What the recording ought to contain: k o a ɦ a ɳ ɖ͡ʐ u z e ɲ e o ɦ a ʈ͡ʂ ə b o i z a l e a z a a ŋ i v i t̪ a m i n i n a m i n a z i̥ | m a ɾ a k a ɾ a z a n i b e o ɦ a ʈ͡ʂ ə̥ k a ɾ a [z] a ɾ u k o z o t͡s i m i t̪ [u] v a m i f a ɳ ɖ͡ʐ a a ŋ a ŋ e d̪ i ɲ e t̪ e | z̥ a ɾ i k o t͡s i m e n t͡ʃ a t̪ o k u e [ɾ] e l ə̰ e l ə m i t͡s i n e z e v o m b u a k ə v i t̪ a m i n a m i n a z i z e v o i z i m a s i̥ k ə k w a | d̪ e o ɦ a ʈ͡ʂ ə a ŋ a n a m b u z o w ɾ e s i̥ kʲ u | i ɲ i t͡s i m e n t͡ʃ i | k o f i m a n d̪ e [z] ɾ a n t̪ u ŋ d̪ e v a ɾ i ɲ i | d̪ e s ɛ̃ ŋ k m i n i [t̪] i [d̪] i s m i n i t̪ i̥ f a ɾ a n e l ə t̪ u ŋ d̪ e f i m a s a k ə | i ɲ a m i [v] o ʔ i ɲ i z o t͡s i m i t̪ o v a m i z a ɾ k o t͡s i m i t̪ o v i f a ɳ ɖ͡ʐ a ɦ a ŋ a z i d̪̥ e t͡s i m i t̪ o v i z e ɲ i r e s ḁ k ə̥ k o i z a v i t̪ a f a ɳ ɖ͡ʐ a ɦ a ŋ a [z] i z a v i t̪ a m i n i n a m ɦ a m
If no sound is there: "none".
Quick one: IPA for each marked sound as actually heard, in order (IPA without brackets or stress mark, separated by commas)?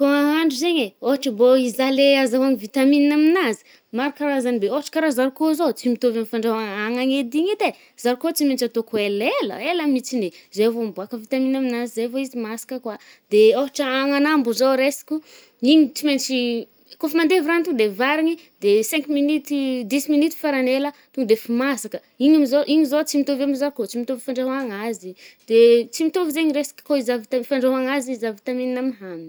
z, o, l, v, t̪, d̪, z, z